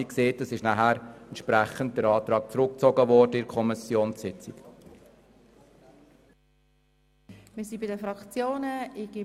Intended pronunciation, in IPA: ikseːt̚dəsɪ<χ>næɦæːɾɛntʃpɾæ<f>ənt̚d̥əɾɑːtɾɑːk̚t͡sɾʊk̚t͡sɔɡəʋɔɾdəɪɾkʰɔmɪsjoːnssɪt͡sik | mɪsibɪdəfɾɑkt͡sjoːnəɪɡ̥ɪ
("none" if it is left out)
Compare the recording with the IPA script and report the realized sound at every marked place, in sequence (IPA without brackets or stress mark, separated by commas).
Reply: ʃ, χ